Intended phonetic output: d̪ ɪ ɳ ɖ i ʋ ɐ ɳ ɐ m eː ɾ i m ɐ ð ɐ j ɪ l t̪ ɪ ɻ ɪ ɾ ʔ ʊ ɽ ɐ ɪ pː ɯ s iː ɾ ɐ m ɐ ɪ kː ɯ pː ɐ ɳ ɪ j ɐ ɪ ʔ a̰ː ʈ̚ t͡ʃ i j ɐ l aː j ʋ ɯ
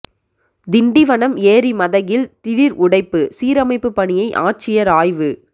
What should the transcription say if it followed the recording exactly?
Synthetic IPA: d̪ ɪ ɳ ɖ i ʋ ɐ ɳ ɐ m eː ɾ i m ɐ ð ɐ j ɪ l t̪ ɪ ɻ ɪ ɾ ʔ ʊ ɽ ɐ ɪ pː ɯ s iː ɾ ɐ m ɐ ɪ pː ɯ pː ɐ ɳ ɪ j ɐ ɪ ʔ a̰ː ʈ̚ t͡ʃ ɪ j ɐ ɾ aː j ʋ ɯ